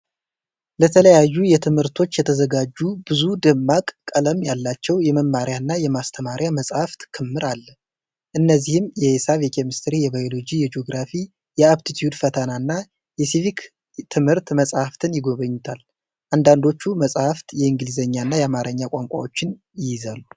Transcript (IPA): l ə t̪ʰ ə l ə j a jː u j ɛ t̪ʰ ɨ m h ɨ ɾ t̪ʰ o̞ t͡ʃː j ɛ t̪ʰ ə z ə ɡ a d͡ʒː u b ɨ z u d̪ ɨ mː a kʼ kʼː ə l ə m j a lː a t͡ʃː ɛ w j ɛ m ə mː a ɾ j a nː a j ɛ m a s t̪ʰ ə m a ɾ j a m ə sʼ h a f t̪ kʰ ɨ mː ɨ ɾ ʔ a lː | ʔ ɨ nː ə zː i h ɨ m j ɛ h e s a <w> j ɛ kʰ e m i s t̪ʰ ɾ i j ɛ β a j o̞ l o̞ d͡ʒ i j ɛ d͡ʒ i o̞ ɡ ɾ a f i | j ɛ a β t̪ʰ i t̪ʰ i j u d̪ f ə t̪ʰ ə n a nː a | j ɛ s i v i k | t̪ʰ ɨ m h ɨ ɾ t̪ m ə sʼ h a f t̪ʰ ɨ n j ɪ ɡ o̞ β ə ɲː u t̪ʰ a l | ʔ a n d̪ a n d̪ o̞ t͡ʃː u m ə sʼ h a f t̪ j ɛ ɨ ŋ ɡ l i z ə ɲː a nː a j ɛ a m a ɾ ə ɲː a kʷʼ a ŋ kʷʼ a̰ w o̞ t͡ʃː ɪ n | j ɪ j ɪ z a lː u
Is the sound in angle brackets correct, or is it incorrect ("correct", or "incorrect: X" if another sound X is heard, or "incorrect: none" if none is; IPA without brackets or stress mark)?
incorrect: β